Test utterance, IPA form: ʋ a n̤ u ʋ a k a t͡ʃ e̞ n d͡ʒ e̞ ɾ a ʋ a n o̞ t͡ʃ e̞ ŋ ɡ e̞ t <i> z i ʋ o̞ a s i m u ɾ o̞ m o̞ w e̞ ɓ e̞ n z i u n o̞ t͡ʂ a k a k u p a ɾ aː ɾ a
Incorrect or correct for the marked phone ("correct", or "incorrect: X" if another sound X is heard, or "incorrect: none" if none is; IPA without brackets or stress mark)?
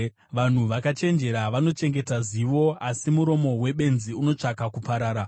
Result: incorrect: a